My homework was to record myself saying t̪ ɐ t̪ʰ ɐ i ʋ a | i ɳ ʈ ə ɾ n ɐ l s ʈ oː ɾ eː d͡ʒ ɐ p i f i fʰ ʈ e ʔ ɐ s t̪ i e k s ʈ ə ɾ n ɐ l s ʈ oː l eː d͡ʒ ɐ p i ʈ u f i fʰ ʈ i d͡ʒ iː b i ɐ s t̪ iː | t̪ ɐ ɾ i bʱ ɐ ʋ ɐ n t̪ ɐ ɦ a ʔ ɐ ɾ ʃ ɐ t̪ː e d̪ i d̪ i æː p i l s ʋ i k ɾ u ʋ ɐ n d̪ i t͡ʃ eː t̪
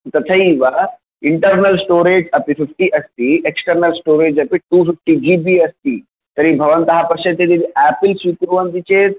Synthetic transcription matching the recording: t̪ ɐ t̪ʰ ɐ i ʋ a | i ɳ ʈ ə ɾ n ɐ l s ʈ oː ɾ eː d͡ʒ ɐ p i f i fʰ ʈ i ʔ ɐ s t̪ i e k s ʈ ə ɾ n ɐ l s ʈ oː ɾ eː d͡ʒ ɐ p i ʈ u f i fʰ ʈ i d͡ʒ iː b i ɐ s t̪ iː | t̪ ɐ ɾ i bʱ ɐ ʋ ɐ n t̪ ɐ ɦ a p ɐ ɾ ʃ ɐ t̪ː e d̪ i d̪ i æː p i l s ʋ i k ɾ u ʋ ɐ n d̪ i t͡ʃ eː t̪

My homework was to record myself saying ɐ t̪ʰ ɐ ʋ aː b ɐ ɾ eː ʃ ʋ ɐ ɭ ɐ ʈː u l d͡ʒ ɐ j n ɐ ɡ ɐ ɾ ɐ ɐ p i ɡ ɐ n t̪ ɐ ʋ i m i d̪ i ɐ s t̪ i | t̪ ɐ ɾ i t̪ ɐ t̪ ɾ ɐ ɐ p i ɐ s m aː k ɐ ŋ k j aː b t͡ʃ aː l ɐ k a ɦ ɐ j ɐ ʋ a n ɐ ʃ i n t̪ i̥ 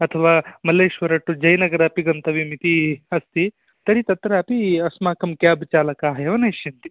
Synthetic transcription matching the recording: ɐ t̪ʰ ɐ ʋ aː m ɐ l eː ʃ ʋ ɐ ɾ ɐ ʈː u d͡ʒ ɐ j n ɐ ɡ ɐ ɾ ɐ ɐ p i ɡ ɐ n t̪ ɐ ʋ i m i t̪ i ɐ s t̪ i | t̪ ɐ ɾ i t̪ ɐ t̪ ɾ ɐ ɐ p i ɐ s m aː k ɐ m k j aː b t͡ʃ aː l ɐ k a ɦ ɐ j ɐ ʋ ɐ n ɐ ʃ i n t̪ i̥

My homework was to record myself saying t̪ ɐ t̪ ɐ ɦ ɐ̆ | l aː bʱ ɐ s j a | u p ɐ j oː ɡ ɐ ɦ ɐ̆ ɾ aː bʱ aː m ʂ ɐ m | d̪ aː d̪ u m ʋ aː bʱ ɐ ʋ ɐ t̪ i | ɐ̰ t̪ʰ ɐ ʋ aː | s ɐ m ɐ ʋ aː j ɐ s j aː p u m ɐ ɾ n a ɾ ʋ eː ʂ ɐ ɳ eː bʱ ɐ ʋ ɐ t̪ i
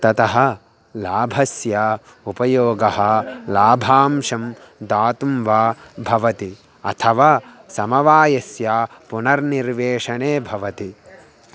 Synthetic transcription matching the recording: t̪ ɐ t̪ ɐ ɦ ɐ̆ | l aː bʱ ɐ s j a | u p ɐ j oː ɡ ɐ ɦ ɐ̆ l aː bʱ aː m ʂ ɐ m | d̪ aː t̪ u m ʋ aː bʱ ɐ ʋ ɐ t̪ i | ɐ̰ t̪ʰ ɐ ʋ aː | s ɐ m ɐ ʋ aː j ɐ s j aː p u n ɐ ɾ n i ɾ ʋ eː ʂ ɐ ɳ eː bʱ ɐ ʋ ɐ t̪ i

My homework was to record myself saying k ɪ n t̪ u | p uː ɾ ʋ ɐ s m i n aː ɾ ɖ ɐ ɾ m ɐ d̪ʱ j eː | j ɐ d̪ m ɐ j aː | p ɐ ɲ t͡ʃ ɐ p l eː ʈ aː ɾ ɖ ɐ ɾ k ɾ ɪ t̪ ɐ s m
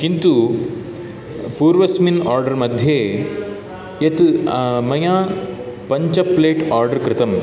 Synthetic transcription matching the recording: k i n t̪ u | p uː ɾ ʋ ɐ s m i n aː ɾ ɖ ɐ ɾ m ɐ d̪ʱ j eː | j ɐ t̪ m ɐ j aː | p ɐ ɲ t͡ʃ ɐ p l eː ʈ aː ɾ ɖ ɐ ɾ k ɾ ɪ t̪ ɐ m

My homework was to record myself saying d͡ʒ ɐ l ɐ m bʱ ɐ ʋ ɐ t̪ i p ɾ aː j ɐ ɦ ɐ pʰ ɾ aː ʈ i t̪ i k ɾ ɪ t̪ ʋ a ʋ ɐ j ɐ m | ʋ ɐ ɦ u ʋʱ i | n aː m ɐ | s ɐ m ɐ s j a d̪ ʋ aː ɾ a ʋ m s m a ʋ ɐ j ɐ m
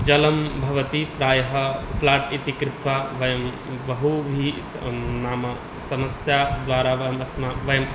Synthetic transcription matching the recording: d͡ʒ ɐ l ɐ m bʱ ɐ ʋ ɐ t̪ i p ɾ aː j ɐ ɦ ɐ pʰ l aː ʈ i t̪ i k ɾ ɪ t̪ ʋ a ʋ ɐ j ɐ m | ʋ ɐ ɦ u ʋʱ i | n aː m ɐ | s ɐ m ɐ s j a d̪ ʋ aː ɾ a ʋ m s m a ʋ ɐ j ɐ m

